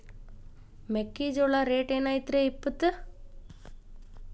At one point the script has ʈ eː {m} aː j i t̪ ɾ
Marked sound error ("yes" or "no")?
yes